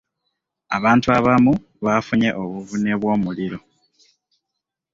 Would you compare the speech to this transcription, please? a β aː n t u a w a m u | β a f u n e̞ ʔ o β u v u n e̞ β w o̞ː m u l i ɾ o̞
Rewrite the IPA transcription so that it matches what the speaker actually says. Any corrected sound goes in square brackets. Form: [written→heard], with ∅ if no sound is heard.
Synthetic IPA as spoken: a β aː n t u a [w→β] a m u | β a f u [n→ɲ] e̞ ʔ o β u v u n e̞ β w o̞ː m u l i ɾ o̞